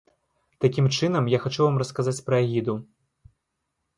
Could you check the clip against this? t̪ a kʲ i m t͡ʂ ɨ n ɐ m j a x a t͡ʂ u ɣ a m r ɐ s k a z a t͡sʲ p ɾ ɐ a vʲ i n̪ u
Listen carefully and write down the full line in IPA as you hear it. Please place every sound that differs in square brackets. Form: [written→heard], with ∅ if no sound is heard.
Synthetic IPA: t̪ a kʲ i m t͡ʂ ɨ n ɐ m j a x a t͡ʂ u [ɣ→v] a m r ɐ s k a z a t͡sʲ p ɾ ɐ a [vʲ→ɣʲ] i [n̪→d̪] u